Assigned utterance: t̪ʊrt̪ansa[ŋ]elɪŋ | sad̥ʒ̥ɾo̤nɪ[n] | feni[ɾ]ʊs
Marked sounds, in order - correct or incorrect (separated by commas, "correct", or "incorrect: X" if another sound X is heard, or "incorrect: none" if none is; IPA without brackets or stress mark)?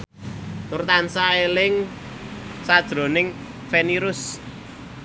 incorrect: none, incorrect: ŋ, correct